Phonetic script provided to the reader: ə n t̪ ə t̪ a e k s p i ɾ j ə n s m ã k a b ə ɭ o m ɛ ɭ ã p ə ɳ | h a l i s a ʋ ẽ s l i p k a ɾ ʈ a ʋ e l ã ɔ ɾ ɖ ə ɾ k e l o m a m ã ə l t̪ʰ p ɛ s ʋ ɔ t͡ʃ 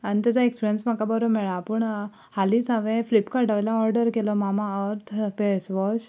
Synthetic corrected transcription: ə n t̪ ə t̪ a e k s p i ɾ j ə n s m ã k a b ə ɾ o m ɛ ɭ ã p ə ɳ | h a l i s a ʋ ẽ f l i p k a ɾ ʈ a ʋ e l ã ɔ ɾ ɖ ə ɾ k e l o m a m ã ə ɾ t̪ʰ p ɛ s ʋ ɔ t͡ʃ